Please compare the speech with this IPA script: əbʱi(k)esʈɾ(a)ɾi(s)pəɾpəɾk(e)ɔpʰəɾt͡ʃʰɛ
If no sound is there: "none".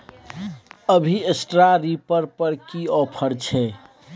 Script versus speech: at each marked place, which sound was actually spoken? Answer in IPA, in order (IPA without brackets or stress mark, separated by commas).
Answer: none, a, none, i